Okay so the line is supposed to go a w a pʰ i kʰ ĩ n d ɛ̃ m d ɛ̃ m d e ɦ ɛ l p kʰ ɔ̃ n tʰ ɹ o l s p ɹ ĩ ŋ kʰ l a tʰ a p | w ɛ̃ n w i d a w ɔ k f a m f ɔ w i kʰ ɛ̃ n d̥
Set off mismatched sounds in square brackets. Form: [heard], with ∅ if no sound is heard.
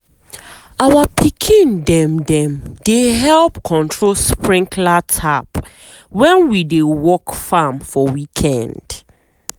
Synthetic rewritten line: a w a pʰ i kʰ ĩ n d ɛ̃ m d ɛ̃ m d e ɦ ɛ l p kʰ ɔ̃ n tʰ ɹ o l s p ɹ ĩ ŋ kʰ l a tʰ a p | w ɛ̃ n w i d [e] w ɔ k f a m f ɔ w i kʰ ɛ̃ n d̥